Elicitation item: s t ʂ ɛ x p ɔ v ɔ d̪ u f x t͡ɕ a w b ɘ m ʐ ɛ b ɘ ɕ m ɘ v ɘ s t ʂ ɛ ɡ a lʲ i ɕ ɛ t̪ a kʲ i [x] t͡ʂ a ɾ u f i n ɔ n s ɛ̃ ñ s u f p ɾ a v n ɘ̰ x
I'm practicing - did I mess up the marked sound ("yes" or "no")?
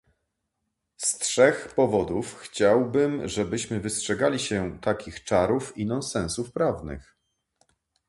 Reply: no